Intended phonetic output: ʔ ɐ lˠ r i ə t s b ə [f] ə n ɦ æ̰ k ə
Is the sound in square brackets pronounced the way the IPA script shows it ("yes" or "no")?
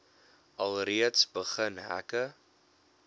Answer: no